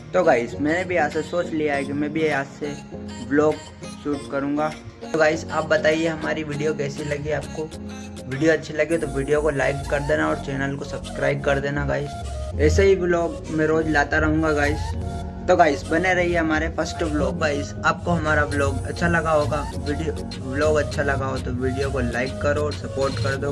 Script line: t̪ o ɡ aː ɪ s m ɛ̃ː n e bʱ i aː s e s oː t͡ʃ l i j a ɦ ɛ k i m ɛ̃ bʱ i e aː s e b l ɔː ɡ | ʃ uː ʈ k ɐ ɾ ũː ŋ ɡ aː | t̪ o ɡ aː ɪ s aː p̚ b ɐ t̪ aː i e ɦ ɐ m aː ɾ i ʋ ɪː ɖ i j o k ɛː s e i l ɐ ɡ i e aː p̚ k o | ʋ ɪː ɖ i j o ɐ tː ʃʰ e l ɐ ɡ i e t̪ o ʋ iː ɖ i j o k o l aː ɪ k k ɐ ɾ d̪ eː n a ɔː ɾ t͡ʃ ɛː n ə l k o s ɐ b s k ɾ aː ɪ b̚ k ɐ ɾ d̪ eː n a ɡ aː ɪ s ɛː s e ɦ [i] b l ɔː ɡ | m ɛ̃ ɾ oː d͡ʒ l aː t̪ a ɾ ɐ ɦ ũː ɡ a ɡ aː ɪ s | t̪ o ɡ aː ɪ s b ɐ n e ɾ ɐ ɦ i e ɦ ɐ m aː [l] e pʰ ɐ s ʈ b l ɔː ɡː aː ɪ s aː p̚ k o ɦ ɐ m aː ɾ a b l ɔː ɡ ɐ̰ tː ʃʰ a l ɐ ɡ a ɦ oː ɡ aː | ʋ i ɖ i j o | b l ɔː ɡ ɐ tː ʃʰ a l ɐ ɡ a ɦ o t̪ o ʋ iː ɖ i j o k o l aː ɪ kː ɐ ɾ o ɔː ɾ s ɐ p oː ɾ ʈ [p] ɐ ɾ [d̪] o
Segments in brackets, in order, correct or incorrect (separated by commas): correct, incorrect, incorrect, correct